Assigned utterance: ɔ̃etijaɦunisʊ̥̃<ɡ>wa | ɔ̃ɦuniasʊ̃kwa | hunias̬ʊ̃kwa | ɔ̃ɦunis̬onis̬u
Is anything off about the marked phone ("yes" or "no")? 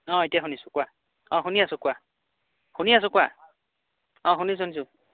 yes